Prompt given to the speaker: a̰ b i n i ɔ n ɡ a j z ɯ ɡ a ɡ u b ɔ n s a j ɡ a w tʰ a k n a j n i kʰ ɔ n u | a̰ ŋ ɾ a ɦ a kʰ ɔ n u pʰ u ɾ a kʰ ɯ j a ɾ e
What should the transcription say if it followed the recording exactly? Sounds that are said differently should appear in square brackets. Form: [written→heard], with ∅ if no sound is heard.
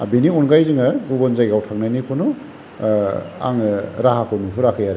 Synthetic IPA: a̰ b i n i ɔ n ɡ a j z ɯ [ɡ→ŋ] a ɡ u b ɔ n [s→z] a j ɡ a w tʰ a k n a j n i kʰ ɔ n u | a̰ ŋ ɾ a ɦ a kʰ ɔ n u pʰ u ɾ a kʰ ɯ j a ɾ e